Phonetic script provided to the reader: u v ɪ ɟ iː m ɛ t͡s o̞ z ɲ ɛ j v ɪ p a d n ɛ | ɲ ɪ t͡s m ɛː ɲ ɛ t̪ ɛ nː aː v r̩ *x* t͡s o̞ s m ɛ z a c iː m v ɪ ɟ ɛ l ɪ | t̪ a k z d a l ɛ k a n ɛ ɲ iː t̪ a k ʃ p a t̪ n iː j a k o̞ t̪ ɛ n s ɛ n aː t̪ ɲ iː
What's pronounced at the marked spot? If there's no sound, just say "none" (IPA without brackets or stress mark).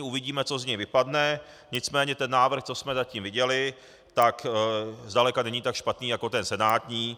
x